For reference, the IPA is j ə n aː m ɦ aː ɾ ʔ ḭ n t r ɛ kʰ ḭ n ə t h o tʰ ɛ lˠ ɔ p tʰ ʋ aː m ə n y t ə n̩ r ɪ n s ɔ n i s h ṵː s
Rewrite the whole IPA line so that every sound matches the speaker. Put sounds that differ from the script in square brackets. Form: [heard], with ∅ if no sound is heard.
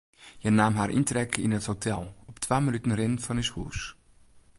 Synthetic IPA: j ə n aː m ɦ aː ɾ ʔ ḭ n t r ɛ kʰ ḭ n ə t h o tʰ ɛ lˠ ɔ p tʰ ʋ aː m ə n y t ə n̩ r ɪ n [f] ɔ n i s h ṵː s